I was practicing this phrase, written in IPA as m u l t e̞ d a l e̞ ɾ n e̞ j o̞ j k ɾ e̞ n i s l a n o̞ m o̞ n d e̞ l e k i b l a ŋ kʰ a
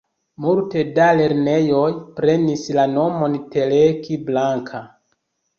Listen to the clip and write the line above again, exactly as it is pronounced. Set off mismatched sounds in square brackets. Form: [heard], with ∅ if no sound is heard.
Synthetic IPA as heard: m u l t e̞ d a l e̞ ɾ n e̞ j o̞ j [p] ɾ e̞ n i s l a n o̞ m o̞ n [t] e̞ l e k i b l a ŋ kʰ a